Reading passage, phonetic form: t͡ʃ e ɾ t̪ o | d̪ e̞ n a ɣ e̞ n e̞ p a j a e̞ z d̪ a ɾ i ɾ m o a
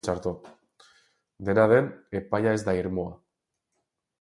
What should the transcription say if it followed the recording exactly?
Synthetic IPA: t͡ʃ a ɾ t̪ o | d̪ e̞ n a ð e̞ n e̞ p a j a e̞ z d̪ a i ɾ m o a